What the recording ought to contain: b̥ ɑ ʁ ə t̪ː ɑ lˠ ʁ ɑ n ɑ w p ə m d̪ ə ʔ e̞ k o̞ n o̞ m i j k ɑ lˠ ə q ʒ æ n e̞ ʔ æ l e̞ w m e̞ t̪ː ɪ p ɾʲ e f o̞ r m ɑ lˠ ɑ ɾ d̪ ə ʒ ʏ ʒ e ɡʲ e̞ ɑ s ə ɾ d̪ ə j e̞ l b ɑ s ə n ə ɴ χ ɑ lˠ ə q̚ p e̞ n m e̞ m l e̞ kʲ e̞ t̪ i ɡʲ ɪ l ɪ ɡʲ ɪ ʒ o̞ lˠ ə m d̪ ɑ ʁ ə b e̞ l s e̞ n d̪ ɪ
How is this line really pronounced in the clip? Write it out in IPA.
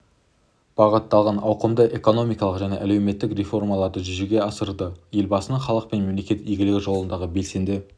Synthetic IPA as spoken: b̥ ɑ ʁ ə t̪ː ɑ lˠ ʁ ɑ n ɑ w q ə m d̪ ə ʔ e̞ k o̞ n o̞ m i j k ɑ lˠ ə q ʒ æ n e̞ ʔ æ l e̞ w m e̞ t̪ː ɪ k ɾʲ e f o̞ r m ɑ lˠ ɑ ɾ d̪ ə ʒ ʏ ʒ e ɡʲ e̞ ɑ s ə ɾ d̪ ə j e̞ l b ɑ s ə n ə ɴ χ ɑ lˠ ə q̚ p e̞ n m e̞ m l e̞ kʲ e̞ t̪ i ɡʲ ɪ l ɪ ɡʲ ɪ ʒ o̞ lˠ ə n d̪ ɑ ʁ ə b e̞ l s e̞ n d̪ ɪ